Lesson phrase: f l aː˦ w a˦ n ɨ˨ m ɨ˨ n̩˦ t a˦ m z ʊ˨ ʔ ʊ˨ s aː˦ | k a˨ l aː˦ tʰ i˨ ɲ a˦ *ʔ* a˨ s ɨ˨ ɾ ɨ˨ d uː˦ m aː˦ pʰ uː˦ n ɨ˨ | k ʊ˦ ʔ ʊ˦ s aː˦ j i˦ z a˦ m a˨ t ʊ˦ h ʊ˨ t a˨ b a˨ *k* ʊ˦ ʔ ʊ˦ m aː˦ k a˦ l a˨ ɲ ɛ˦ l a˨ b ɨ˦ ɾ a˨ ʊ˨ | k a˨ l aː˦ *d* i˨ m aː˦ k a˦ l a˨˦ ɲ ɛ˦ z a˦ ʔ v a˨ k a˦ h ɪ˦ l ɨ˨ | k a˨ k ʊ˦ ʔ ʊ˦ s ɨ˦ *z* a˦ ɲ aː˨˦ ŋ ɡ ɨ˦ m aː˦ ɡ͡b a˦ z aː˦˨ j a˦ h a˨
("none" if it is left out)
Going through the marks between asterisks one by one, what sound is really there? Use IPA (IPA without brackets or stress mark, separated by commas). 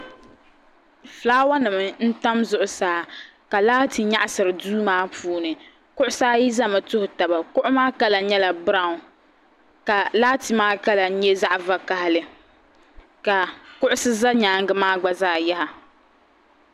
ʔ, k, t, z